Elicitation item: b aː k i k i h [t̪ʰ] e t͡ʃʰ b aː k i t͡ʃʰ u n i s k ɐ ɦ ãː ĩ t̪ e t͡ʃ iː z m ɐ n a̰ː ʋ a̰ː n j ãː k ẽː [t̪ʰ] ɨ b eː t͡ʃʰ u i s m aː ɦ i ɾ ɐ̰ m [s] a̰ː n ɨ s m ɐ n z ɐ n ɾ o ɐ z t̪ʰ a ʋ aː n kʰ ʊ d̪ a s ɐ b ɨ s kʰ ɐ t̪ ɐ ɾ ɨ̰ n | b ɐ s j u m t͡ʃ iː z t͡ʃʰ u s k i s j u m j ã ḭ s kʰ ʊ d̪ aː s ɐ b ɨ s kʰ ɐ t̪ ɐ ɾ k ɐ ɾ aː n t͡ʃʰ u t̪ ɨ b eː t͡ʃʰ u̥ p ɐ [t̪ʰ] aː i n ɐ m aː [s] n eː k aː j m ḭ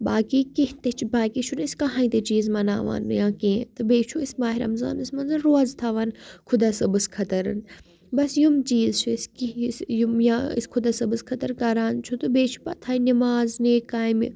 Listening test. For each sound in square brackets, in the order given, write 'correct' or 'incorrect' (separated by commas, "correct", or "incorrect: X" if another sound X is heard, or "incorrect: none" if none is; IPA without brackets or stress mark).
incorrect: t̪, incorrect: t̪, incorrect: z, correct, incorrect: z